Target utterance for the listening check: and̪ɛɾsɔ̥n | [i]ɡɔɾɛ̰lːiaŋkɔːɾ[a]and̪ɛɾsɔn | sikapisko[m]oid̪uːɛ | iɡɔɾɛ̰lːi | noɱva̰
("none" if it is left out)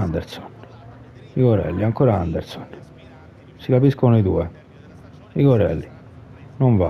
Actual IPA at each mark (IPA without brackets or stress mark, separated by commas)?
i, a, n